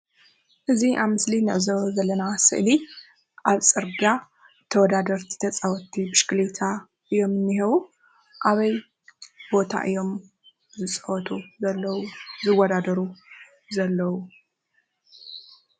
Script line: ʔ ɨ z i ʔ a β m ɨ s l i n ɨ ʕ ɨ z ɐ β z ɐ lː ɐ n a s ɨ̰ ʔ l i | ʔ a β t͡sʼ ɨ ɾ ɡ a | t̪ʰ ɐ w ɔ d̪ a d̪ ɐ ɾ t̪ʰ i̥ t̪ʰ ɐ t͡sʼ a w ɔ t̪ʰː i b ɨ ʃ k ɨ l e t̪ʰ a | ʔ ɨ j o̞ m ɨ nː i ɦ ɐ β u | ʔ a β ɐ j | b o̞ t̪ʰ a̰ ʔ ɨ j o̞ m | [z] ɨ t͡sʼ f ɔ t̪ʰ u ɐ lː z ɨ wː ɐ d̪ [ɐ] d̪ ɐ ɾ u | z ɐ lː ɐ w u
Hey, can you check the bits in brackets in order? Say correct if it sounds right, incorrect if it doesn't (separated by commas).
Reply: correct, incorrect